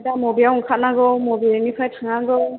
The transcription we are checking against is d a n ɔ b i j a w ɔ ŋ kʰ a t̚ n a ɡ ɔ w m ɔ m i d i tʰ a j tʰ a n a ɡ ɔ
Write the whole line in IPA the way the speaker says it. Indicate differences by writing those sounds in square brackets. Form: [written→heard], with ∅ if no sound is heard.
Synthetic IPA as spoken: d a [n→m] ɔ b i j a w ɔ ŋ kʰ a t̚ n a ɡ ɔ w m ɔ [m→b] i [d→n] i [tʰ→pʰ] a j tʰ a [n→ŋ] a ɡ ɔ